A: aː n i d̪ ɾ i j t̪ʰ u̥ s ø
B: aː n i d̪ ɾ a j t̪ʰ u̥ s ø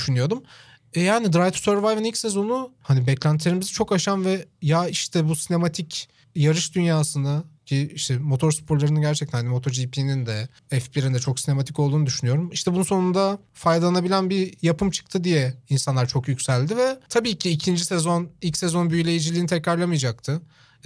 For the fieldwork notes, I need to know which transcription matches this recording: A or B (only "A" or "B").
B